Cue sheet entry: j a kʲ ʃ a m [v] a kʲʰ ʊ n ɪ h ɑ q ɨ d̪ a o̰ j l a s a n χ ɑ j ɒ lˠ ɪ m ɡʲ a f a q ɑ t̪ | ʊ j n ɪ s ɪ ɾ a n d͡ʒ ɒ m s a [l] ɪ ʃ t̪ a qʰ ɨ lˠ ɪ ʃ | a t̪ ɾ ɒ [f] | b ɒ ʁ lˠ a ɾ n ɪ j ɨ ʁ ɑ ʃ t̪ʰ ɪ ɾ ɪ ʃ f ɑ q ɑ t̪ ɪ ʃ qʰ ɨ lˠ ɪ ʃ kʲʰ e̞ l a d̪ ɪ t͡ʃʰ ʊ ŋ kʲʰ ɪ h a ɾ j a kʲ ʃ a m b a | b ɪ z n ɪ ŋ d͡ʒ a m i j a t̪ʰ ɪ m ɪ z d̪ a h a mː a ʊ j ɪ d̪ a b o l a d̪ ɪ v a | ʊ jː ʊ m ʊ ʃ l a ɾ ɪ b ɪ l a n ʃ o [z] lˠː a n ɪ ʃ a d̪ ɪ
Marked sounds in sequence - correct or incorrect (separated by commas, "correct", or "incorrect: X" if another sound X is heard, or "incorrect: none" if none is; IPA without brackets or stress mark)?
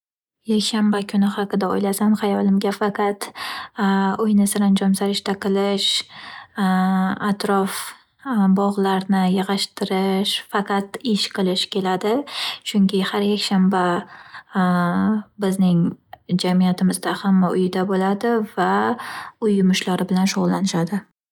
incorrect: b, incorrect: ɾ, correct, incorrect: ʁ